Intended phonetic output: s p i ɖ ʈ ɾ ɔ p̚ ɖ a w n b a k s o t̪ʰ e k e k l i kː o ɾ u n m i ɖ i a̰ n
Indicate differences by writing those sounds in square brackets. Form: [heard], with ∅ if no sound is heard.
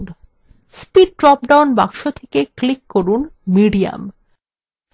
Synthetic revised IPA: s p i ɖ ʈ ɾ ɔ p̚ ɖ a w n b a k [ʃ] o t̪ʰ e k e k l i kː o ɾ u n m i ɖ i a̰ [m]

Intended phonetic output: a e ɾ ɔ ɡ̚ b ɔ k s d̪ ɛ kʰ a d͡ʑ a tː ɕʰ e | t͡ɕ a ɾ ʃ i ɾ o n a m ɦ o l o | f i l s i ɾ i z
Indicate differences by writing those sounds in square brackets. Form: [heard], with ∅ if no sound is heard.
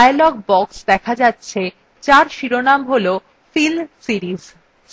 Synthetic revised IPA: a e [l] ɔ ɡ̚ b ɔ k s d̪ ɛ kʰ a d͡ʑ a tː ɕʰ e | t͡ɕ a ɾ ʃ i ɾ o n a m ɦ o l o | f i l s i ɾ i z

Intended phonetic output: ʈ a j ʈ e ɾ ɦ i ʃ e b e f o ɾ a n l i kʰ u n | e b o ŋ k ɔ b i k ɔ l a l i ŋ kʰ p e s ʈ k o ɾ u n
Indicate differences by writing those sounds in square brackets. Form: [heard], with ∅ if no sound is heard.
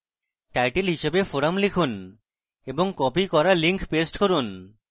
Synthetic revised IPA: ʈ a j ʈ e [l] ɦ i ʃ e b e f o ɾ a [m] l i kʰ u n | e b o ŋ k ɔ [p] i k ɔ [ɾ] a l i ŋ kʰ p e s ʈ k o ɾ u n

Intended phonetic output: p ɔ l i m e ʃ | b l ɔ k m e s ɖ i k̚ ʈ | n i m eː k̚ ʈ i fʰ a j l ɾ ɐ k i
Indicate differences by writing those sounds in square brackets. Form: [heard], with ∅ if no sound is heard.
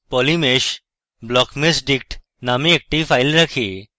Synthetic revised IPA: p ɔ l i m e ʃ | b l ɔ k m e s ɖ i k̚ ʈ | n [a] m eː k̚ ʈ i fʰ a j l ɾ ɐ [kʰ] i

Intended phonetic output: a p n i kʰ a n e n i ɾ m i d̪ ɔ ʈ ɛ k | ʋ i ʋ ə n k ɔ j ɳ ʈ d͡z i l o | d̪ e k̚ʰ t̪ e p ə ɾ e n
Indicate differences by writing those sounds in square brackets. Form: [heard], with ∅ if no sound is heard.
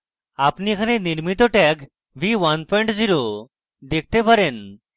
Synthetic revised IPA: a p n i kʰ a n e n i ɾ m i [t̪] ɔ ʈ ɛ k | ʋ i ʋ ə n [p] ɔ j ɳ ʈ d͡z i [ɾ] o | d̪ e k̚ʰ t̪ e p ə ɾ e n

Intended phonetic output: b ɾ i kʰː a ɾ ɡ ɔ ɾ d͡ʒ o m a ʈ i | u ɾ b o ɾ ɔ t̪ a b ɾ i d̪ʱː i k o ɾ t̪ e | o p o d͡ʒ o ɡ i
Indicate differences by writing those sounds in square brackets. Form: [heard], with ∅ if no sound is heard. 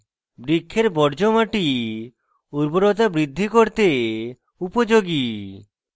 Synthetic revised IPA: b ɾ i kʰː [e] ɾ [b] ɔ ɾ d͡ʒ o m a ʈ i | u ɾ b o ɾ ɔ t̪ a b ɾ i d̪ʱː i k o ɾ t̪ e | [u] p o d͡ʒ o ɡ i

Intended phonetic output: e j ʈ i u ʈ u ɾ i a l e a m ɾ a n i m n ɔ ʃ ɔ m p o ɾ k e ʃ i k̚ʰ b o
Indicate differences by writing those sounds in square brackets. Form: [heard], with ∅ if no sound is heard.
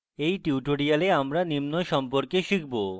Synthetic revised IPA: e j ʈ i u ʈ [o] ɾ i a l e a m ɾ a n i m n [o] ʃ ɔ m p o ɾ k e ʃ i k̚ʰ b o

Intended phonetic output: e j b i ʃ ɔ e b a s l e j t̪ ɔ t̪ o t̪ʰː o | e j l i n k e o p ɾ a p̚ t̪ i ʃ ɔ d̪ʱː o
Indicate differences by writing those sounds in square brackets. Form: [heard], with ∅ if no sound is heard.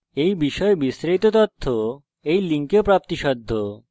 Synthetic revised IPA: e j b i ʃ ɔ e b [i] s [ɾ] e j t̪ [o] t̪ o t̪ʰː o | e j l i [ŋ] k e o p ɾ a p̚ t̪ i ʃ ɔ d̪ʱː o

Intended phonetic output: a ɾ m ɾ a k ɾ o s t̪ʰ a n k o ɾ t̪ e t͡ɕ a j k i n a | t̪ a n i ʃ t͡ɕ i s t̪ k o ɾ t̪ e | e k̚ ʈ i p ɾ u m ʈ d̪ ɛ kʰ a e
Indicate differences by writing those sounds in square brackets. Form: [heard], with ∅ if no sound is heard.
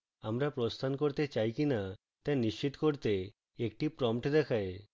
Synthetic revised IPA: a [∅] m ɾ a [p] ɾ o s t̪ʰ a n k o ɾ t̪ e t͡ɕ a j k i n a | t̪ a n i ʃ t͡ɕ i [∅] t̪ k o ɾ t̪ e | e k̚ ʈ i p ɾ [ɔ] m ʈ d̪ ɛ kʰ a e

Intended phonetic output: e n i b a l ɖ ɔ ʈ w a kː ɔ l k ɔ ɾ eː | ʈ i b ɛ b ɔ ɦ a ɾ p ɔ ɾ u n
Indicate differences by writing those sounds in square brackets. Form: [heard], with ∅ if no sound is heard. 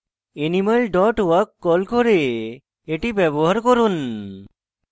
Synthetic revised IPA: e n i [m] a l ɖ ɔ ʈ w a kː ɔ l k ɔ ɾ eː | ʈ i b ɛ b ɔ ɦ a ɾ [k] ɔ ɾ u n

